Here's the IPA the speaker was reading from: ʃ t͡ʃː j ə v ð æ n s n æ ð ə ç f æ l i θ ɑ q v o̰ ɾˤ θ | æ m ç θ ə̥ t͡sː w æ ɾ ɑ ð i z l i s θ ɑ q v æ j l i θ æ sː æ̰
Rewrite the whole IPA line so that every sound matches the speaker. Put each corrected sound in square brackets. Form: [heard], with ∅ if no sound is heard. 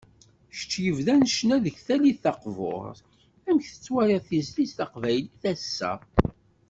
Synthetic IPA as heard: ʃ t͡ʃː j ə v ð æ n [ʃ] n æ ð ə ç [θ] æ l i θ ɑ q v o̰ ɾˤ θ | æ m ç θ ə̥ t͡sː w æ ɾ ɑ [θ] i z l i s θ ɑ q v æ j l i θ æ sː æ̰